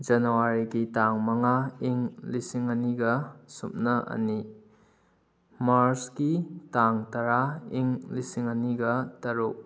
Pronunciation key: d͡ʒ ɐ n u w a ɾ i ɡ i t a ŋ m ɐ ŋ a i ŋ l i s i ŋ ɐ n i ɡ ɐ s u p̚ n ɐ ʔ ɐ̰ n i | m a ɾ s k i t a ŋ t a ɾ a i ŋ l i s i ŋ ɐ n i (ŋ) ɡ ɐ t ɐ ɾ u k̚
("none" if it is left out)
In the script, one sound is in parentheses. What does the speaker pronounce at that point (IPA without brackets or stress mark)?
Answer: none